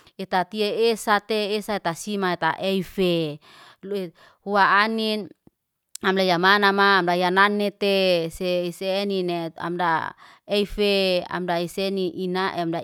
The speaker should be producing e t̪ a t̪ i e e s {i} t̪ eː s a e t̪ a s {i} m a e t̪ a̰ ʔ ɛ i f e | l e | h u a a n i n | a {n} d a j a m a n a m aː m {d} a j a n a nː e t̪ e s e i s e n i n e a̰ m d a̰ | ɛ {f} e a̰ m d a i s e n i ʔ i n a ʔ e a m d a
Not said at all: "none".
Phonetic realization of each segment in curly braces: a, i, m, d, f

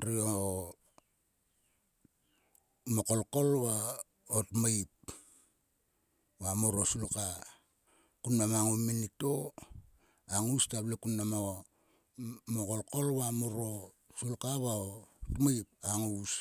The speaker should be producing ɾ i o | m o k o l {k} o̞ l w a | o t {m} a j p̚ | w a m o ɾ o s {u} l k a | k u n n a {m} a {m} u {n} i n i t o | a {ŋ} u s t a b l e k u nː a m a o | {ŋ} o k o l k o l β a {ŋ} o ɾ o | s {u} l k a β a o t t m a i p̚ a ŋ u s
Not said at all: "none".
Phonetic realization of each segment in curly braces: k, m, u, m, ŋ, m, ŋ, m, m, u

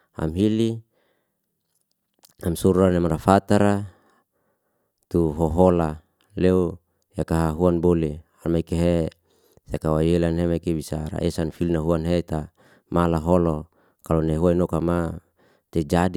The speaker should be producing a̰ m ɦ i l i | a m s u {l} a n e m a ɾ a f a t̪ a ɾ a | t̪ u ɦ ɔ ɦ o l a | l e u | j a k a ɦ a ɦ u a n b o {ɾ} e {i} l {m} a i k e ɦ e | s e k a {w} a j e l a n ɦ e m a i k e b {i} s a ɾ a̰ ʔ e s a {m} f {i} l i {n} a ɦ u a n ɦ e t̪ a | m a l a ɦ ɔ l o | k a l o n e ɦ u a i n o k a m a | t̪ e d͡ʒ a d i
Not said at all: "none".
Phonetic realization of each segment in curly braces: ɾ, l, a, m, w, i, n, i, n

